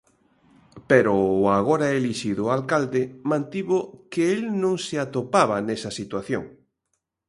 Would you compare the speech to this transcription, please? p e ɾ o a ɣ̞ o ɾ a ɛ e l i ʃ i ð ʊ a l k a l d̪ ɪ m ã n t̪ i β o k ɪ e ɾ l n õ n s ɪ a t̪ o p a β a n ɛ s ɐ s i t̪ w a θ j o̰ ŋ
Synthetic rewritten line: p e ɾ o a ɣ̞ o ɾ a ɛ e l i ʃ i ð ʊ a l k a l d̪ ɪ m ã n t̪ i β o k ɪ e l n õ ŋ s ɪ a t̪ o p a β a n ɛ s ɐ s i t̪ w a θ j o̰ ŋ

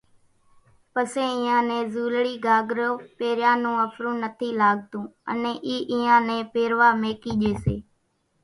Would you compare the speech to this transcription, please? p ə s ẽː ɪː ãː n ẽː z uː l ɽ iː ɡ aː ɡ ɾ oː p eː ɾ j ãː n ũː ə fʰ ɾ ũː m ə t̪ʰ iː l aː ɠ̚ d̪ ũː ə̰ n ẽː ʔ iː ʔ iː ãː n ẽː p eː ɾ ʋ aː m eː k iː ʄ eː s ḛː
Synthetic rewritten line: p ə s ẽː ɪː ãː n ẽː z uː l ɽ iː ɡ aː ɡ ɾ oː p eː ɾ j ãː n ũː ə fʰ ɾ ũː n ə t̪ʰ iː l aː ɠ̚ t̪ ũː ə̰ n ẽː ʔ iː ʔ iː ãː n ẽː p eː ɾ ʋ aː m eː k iː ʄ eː s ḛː

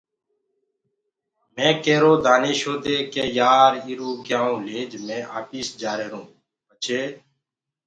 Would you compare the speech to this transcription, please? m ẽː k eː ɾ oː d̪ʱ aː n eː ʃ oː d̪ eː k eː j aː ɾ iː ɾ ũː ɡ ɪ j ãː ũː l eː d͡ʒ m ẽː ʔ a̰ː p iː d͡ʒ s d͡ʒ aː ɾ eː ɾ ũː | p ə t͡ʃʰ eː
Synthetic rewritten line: m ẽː k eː ɾ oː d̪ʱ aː n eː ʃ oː d̪ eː k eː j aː ɾ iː ɾ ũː ɡ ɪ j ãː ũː l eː d͡ʒ m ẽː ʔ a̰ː p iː s d͡ʒ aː ɾ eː ɾ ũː | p ə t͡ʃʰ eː

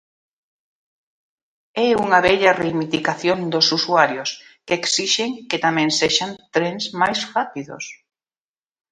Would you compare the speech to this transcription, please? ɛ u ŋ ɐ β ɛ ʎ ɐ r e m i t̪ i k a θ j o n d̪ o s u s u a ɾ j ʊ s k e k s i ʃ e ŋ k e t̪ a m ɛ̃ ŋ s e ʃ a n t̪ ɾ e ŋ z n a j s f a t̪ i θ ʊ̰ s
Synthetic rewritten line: ɛ u ŋ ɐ β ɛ ʎ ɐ r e m i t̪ i k a θ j o n d̪ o s u s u a ɾ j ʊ s k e k s i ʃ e ŋ k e t̪ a m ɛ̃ ŋ s e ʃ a n t̪ ɾ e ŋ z m a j s f a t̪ i ð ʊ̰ s

